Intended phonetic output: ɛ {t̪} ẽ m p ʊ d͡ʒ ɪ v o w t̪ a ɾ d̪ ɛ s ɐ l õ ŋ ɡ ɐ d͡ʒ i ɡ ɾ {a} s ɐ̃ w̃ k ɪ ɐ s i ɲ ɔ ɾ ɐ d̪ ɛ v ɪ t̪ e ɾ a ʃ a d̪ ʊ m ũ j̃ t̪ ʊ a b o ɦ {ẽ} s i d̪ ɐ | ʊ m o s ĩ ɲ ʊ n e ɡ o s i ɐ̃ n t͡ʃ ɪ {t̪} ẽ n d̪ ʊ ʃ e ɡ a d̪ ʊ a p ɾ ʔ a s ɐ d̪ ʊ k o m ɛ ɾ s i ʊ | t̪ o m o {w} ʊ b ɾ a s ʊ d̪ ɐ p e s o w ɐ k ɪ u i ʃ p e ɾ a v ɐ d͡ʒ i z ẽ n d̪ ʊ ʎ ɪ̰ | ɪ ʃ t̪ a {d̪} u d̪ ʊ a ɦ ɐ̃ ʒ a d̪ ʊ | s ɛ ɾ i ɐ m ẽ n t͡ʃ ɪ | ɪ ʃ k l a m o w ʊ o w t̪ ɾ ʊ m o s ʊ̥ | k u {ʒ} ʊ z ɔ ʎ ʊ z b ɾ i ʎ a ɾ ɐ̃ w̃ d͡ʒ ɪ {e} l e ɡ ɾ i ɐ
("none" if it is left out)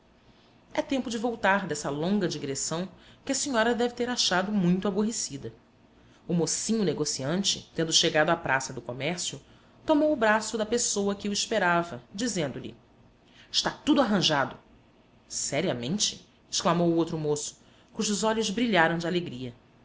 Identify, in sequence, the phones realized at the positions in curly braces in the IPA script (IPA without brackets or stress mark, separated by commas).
t̪, e, e, t̪, w, t̪, ʒ, a